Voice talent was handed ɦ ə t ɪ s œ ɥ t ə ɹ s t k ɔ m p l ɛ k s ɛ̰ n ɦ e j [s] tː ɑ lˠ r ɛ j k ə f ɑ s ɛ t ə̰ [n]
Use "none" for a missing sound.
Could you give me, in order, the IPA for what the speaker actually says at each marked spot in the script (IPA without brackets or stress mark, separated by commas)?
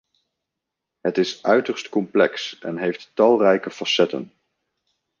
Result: f, n